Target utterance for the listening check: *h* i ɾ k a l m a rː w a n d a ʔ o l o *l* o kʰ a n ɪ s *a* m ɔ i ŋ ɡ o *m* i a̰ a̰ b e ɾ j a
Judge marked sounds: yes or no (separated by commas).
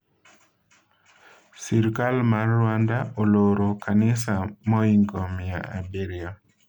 no, no, yes, yes